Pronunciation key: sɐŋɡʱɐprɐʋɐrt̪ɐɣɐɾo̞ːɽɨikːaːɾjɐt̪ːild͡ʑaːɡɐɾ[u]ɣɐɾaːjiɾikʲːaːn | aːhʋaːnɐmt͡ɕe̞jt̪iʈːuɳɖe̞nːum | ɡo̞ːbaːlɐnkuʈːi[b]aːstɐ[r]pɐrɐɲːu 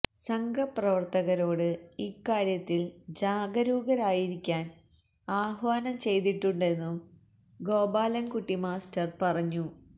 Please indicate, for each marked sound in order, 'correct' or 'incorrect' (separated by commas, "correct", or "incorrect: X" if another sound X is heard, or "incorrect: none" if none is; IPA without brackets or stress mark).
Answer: incorrect: uː, incorrect: m, correct